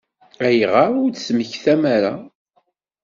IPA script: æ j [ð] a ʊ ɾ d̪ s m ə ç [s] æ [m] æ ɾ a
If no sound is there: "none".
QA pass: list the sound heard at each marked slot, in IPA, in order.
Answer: ʁ, θ, m

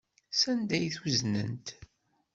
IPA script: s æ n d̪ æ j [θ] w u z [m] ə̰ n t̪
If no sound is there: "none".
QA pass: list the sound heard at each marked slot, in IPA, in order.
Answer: θ, n

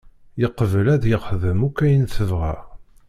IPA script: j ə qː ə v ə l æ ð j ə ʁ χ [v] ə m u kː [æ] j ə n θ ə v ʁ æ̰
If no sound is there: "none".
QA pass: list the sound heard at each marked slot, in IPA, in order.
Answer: ð, æ

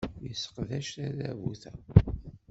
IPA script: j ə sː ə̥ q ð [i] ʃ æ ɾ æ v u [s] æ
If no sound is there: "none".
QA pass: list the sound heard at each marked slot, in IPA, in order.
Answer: æ, θ

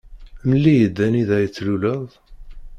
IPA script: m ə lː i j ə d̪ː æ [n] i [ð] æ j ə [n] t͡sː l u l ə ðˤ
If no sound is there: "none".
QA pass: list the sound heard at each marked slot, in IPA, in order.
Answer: n, ð, none

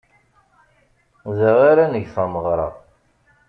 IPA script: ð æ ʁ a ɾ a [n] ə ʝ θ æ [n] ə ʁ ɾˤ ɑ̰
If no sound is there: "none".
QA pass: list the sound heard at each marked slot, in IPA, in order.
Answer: n, m

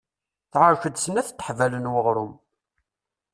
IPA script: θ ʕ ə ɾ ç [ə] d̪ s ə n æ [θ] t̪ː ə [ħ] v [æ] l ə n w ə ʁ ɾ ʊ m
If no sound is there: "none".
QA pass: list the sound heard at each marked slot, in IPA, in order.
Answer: ə, θ, ħ, æ

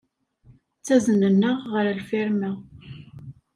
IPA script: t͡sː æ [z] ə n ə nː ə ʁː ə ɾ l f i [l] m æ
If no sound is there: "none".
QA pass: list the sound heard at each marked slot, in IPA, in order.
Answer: z, ɾ

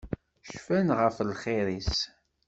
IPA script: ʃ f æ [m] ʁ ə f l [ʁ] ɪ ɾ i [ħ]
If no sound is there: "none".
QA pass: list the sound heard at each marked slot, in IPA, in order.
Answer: n, χ, s

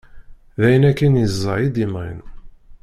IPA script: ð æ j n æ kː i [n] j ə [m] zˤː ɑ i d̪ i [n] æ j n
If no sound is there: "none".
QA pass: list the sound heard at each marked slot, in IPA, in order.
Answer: n, none, m

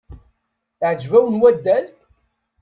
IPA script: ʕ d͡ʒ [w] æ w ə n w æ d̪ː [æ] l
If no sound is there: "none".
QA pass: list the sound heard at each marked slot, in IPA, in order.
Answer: v, æ

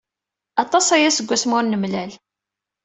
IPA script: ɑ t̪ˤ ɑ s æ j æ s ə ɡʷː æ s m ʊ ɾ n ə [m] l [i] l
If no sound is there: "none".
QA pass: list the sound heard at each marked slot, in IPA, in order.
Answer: m, æ

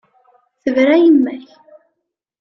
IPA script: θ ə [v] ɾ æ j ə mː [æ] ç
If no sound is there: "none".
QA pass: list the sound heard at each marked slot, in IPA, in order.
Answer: v, æ

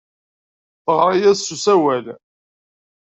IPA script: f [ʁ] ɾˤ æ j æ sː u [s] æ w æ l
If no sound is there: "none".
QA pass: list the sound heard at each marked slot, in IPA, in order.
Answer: ʁ, s

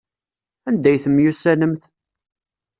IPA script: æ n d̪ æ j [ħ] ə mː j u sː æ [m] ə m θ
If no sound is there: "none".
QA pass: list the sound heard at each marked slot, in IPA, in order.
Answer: θ, n

